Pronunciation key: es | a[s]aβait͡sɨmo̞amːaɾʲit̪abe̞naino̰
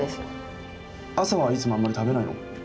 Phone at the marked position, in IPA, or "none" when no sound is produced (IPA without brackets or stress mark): s